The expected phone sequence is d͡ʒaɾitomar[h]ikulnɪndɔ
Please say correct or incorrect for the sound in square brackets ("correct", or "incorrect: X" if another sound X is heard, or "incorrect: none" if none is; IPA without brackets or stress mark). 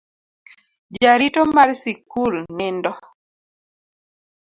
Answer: incorrect: s